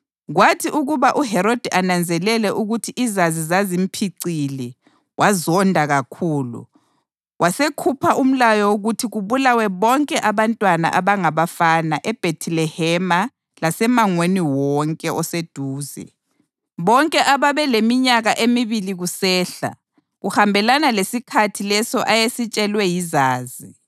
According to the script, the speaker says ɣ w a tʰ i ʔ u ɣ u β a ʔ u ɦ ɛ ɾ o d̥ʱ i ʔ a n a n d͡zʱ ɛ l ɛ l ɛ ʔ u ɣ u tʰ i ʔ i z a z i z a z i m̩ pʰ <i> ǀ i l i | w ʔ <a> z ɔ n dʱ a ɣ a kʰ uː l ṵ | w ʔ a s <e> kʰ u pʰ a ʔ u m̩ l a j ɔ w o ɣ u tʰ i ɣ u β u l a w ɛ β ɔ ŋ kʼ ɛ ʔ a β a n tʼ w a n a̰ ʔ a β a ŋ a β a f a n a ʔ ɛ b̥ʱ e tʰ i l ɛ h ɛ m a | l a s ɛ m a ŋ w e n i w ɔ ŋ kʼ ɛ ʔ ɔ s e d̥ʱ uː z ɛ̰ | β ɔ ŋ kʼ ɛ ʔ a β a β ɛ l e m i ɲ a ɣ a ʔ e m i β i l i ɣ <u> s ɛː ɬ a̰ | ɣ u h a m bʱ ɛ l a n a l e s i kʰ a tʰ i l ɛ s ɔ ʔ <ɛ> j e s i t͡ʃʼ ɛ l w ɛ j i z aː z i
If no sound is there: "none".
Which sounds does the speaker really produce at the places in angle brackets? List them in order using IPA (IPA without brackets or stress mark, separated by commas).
i, a, e, u, a